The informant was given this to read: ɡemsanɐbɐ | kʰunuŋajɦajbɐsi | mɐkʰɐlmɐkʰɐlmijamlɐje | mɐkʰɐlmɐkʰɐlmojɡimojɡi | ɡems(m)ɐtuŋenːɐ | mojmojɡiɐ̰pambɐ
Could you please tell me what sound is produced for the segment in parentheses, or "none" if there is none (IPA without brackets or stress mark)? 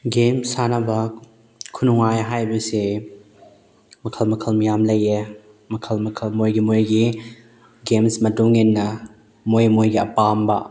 m